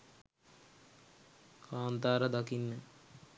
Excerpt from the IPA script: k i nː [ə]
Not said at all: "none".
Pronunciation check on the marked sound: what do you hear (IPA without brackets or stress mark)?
ə